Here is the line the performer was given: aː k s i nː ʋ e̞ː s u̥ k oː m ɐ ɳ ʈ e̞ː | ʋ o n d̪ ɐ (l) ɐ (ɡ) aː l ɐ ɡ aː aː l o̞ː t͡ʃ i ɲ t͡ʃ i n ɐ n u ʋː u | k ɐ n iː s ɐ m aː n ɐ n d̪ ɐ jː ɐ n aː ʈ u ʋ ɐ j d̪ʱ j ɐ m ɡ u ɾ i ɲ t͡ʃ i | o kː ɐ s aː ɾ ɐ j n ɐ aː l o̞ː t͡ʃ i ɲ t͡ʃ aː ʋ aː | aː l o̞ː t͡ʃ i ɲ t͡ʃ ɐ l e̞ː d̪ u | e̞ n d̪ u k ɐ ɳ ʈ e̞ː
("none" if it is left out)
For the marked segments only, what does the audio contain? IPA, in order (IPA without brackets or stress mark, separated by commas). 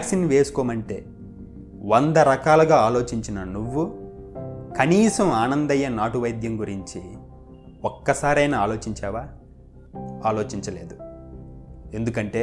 ɾ, k